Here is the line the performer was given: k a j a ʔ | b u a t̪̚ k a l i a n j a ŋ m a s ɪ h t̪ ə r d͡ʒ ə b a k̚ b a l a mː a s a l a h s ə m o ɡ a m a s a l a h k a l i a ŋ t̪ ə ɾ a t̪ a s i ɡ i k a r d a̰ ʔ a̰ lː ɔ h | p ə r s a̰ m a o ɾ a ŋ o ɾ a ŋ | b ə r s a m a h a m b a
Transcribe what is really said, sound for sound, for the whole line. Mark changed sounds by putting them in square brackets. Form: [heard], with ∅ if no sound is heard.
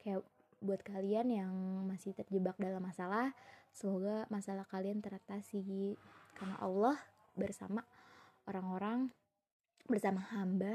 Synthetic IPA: k a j a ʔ | b u a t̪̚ k a l i a n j a ŋ m a s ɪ h t̪ ə r d͡ʒ ə b a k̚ [d] a l a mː a s a l a h s ə m o ɡ a m a s a l a h k a l i a [n] t̪ ə ɾ a t̪ a s i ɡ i k a r [n] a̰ ʔ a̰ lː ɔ h | [b] ə r s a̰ m a o ɾ a ŋ o ɾ a ŋ | b ə r s a m a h a m b a